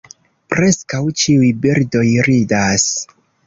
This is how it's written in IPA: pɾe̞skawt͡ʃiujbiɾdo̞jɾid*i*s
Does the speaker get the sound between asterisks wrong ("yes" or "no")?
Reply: yes